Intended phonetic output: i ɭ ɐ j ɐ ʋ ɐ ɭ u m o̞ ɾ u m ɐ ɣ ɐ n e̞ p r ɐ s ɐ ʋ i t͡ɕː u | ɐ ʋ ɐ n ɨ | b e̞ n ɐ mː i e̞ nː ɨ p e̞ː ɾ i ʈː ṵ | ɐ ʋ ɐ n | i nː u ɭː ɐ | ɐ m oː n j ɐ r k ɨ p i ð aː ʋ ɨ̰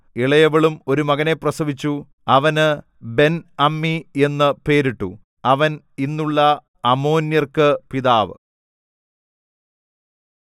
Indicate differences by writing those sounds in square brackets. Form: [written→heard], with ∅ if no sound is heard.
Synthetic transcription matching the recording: i ɭ ɐ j ɐ ʋ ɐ ɭ u m o̞ ɾ u m ɐ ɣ ɐ n e̞ p r ɐ s ɐ ʋ i t͡ɕː u | ɐ ʋ ɐ n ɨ | b e̞ n ɐ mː i e̞ nː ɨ p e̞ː ɾ i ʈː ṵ | ɐ ʋ ɐ n | i nː u ɭː ɐ | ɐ m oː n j ɐ r k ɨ p i ð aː ʋ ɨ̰